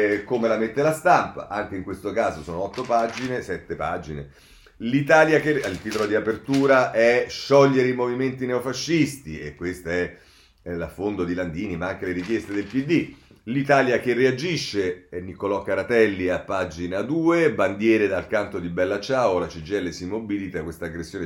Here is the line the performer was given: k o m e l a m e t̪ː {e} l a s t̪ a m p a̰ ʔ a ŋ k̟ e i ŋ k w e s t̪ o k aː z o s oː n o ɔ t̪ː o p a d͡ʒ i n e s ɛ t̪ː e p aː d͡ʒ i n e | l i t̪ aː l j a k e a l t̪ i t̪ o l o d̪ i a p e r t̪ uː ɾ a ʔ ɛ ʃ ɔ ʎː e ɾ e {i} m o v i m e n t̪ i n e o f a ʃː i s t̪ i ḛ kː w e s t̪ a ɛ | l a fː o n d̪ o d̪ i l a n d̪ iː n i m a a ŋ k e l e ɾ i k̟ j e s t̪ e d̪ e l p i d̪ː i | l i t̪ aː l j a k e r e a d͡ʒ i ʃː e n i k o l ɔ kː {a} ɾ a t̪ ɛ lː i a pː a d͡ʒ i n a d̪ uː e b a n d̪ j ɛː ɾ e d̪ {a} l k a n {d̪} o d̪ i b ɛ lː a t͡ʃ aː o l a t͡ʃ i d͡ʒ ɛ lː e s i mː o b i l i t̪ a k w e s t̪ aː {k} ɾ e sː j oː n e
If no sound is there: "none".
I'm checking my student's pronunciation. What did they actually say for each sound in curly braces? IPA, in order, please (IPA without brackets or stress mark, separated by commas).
e, i, a, a, t̪, ɡ